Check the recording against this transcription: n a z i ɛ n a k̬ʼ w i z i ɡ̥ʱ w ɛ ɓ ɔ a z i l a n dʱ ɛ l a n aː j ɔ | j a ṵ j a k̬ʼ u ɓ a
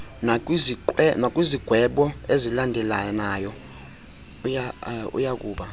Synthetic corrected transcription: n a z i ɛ n a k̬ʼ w i z i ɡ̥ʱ w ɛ ɓ ɔ e z i l a n dʱ ɛ l a n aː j ɔ | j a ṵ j a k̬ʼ uː ɓ a